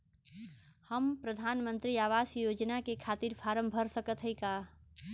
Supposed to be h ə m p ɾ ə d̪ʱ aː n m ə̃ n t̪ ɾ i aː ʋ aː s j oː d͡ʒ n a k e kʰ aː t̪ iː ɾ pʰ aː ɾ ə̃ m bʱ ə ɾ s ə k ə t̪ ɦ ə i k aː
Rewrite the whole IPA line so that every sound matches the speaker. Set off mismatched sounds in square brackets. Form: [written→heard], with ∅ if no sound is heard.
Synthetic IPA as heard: h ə m p ɾ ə d̪ʱ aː n m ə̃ n t̪ ɾ i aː ʋ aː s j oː d͡ʒ n a k e kʰ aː t̪ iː ɾ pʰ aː ɾ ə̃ m bʱ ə ɾ s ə k ə t̪ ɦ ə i k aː